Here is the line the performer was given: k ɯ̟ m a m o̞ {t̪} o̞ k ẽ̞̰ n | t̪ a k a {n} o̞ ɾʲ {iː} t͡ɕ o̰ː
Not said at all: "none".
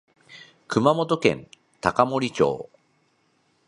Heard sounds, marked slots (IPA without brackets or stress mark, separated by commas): t̪, m, i